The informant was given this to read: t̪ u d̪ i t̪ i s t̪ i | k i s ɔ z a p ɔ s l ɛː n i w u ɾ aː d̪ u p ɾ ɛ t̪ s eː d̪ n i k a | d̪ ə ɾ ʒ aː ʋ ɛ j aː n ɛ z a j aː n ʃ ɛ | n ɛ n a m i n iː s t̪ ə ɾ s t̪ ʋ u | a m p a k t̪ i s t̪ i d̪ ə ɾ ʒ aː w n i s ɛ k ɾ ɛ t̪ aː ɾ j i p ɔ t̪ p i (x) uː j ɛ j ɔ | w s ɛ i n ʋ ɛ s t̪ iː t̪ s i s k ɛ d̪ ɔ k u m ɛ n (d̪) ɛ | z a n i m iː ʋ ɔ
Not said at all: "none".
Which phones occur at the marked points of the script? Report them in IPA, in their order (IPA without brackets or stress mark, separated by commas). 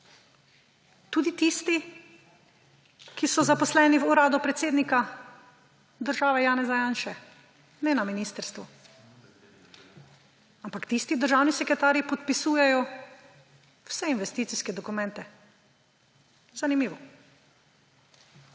s, t̪